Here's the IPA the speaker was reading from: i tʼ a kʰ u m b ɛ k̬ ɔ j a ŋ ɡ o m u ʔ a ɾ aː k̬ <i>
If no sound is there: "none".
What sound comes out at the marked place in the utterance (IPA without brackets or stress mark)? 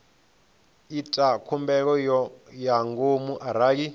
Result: i